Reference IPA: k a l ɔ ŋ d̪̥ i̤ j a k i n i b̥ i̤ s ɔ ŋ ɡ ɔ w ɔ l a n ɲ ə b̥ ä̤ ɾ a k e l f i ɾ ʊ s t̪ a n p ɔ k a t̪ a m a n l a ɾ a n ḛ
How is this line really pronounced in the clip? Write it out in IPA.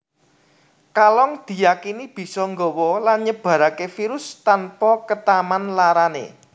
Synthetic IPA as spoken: k a l ɔ ŋ d̪̥ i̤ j a k i n i b̥ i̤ s ɔ ŋ ɡ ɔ w ɔ l a n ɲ ə b̥ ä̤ ɾ a k e f i ɾ ʊ s t̪ a n p ɔ k ə t̪ a m a n l a ɾ a n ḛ